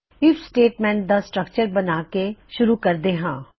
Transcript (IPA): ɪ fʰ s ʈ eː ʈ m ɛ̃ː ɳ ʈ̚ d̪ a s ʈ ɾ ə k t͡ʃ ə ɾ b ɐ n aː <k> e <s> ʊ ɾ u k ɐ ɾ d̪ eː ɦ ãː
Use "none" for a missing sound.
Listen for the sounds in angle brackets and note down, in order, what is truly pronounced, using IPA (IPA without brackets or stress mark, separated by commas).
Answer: k, ʃ